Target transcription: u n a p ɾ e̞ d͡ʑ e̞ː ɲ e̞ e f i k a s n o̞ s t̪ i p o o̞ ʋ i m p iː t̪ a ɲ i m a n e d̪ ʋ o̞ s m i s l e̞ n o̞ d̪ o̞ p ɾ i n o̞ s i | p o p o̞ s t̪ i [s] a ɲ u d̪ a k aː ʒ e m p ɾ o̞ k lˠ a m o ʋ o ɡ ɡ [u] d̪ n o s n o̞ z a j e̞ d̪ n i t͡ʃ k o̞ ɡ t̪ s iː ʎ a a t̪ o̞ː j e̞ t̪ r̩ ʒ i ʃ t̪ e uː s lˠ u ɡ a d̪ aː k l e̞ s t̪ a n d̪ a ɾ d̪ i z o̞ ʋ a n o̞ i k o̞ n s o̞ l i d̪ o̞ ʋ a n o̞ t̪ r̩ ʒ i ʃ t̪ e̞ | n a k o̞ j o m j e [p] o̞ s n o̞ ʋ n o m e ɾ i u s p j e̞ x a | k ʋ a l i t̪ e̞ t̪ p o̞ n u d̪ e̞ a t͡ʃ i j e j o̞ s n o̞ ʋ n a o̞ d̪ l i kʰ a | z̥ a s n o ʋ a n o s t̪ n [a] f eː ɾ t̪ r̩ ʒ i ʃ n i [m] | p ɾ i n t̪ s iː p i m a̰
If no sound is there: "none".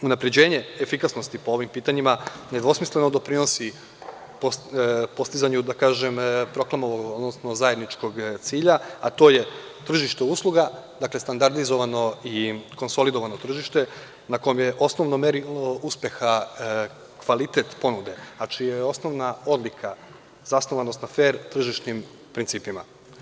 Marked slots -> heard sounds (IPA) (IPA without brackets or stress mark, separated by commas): z, o, ʔ, a, m